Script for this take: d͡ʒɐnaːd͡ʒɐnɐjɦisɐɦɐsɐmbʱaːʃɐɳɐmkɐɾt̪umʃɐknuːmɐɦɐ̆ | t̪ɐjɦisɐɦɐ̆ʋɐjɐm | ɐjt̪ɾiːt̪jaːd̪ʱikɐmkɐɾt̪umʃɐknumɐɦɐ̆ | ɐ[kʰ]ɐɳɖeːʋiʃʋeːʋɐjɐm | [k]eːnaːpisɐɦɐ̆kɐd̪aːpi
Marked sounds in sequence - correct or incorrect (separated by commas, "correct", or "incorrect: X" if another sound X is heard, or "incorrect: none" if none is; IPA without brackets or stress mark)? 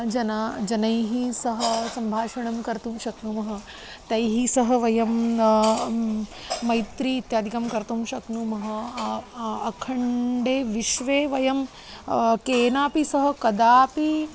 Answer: correct, correct